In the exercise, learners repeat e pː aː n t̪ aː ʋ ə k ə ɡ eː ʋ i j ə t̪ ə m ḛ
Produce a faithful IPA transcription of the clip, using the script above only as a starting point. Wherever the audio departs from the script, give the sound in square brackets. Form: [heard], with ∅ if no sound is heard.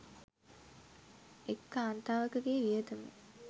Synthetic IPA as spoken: e [kː] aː n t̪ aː ʋ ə k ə ɡ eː ʋ i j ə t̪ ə m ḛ